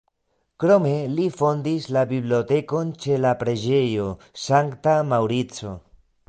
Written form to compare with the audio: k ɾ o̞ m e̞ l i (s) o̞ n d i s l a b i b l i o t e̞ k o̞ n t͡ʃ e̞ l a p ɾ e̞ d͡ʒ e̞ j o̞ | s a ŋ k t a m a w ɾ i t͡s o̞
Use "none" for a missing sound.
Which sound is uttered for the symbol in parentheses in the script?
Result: f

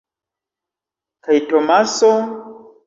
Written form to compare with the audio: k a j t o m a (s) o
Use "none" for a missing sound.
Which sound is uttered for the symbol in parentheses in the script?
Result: s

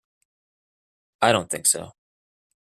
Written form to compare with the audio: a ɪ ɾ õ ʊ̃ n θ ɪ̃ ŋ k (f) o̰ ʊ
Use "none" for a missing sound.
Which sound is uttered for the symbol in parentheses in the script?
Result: s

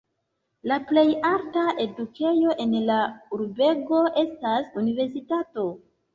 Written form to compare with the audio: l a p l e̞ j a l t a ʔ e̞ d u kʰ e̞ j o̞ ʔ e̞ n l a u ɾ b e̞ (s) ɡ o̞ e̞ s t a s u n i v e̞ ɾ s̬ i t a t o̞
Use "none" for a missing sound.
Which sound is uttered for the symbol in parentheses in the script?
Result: none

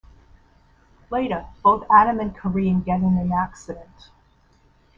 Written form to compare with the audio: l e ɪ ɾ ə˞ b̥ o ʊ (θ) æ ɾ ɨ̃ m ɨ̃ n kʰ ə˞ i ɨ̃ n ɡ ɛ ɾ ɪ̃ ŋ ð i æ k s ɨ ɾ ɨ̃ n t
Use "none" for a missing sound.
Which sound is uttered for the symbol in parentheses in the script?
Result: θ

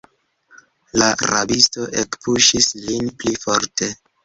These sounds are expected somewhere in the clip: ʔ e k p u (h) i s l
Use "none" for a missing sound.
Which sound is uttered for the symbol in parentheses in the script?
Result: ʃ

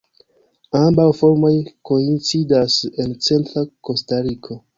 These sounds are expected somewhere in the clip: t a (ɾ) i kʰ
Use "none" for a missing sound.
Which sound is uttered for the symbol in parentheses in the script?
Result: ɾ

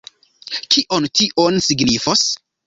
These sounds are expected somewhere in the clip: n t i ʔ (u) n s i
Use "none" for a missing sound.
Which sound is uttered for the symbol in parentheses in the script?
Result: o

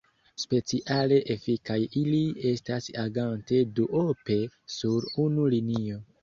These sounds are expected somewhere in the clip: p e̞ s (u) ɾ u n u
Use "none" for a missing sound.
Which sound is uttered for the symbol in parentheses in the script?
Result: u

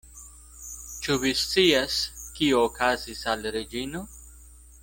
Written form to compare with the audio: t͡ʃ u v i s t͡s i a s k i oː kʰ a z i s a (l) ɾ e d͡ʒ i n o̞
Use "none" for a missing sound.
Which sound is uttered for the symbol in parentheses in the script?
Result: l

